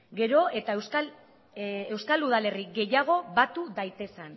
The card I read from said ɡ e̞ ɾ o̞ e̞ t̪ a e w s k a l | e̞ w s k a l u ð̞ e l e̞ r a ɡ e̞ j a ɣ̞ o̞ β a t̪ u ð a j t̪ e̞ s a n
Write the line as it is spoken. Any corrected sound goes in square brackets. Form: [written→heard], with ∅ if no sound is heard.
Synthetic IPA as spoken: ɡ e̞ ɾ o̞ e̞ t̪ a e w s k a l | e̞ w s k a l u ð̞ [e→a] l e̞ r [a→i] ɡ e̞ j a ɣ̞ o̞ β a t̪ u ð a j t̪ e̞ s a n